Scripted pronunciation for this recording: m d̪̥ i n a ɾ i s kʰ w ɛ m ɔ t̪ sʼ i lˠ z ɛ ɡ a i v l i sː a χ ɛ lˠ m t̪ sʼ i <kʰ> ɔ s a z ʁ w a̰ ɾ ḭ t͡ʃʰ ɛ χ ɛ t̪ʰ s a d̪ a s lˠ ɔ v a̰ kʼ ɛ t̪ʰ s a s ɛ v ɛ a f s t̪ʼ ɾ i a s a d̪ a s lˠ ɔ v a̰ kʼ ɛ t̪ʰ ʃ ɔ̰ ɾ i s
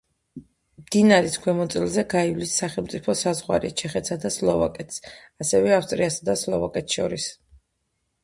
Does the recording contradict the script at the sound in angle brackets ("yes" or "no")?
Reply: yes